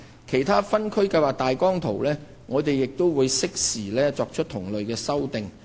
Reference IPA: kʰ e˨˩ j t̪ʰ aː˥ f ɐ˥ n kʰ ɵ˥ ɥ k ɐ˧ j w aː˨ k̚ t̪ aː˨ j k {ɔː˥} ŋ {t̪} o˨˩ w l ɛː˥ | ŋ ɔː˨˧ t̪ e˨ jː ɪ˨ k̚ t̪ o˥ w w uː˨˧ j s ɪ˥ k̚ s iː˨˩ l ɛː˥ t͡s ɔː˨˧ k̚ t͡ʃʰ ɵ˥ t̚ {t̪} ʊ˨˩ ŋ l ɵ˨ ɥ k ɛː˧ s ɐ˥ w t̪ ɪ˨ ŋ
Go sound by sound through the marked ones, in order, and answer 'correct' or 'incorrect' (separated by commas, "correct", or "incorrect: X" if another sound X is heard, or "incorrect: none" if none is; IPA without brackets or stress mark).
correct, incorrect: t̪ʰ, incorrect: t̪ʰ